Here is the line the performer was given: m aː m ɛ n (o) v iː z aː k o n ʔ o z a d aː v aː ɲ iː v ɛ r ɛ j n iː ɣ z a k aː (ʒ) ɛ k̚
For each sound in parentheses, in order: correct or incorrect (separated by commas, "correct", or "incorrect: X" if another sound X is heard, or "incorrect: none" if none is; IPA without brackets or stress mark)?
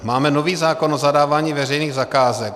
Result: correct, incorrect: z